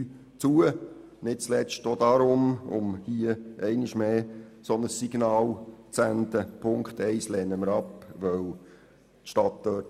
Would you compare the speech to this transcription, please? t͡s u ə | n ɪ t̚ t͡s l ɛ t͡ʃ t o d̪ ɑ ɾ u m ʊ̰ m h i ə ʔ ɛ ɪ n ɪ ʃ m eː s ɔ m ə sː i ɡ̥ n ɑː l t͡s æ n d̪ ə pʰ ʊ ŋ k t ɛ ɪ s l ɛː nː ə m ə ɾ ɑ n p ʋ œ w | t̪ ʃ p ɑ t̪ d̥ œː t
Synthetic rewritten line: t͡s u ə | n ɪ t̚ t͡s l ɛ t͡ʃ t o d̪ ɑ ɾ ʊ m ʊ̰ m h i ə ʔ ɛ ɪ n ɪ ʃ m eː s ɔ n ə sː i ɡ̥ n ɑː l t͡s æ n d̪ ə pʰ ʊ ŋ k t ɛ ɪ s l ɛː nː ə m ə ɾ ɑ p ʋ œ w | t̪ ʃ t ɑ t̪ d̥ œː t